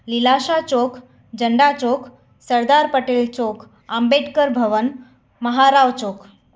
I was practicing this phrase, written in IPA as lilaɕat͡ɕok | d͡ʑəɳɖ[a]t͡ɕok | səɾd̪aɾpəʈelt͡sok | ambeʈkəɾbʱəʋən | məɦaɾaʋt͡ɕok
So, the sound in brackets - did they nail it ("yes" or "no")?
yes